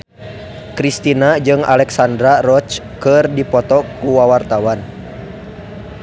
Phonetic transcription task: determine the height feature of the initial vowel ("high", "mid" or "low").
high